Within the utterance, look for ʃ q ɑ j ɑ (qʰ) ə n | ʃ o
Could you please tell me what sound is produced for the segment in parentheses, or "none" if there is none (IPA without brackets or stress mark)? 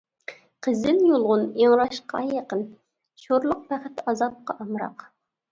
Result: q